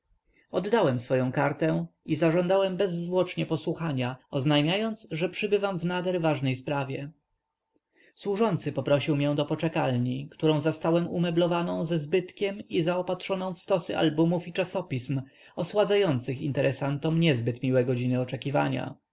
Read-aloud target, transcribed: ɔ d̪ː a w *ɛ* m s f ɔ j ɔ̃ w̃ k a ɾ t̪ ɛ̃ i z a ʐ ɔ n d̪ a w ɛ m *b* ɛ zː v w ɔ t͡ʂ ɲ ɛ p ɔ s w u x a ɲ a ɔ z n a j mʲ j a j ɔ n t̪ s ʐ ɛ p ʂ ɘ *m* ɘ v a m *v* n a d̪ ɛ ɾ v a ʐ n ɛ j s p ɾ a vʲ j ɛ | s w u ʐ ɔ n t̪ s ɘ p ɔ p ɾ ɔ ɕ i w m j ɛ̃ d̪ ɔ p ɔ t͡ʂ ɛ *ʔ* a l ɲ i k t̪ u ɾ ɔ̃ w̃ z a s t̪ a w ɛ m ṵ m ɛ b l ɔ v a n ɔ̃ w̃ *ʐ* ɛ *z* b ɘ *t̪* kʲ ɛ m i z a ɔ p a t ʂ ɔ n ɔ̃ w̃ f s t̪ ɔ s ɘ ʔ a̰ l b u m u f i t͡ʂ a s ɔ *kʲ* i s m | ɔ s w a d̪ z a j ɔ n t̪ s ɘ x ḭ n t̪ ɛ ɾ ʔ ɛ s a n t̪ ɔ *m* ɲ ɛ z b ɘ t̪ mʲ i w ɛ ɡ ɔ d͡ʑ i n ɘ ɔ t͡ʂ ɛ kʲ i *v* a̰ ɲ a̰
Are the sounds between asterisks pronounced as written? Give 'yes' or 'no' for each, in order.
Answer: yes, yes, no, yes, no, no, yes, yes, no, yes, yes

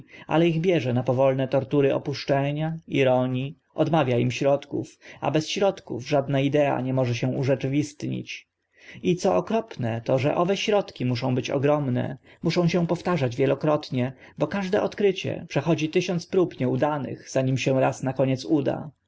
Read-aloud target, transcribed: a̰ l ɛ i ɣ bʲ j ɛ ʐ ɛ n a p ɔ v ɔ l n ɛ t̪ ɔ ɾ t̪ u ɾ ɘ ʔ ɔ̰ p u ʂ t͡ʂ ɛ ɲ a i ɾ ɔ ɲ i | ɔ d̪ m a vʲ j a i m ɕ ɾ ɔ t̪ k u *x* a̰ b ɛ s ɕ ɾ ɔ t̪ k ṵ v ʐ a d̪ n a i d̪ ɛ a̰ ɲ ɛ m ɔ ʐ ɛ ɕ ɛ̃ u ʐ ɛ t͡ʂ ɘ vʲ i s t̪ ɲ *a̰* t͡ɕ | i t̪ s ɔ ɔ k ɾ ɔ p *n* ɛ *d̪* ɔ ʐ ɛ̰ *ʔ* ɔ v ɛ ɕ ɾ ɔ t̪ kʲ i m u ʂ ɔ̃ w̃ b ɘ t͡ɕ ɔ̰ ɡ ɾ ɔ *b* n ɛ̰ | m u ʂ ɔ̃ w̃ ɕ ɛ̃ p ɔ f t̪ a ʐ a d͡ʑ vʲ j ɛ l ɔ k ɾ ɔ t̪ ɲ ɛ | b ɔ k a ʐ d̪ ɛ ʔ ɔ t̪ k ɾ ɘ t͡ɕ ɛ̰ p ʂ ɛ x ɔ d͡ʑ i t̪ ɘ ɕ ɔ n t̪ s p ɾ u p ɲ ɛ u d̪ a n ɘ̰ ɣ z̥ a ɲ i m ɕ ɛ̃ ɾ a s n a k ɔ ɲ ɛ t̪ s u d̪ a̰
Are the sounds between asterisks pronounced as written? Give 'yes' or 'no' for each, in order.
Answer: no, no, yes, no, yes, no

